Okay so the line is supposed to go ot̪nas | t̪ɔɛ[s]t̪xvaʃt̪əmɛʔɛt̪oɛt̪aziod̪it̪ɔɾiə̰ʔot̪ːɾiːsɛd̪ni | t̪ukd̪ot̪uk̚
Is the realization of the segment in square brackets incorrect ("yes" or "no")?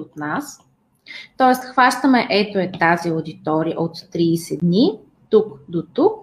no